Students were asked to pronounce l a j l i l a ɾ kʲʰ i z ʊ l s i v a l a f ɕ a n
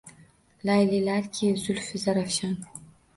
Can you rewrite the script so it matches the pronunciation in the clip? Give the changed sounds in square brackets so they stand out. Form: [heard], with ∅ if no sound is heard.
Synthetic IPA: l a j l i l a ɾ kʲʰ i z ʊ l [f] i [z] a [ɾ] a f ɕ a n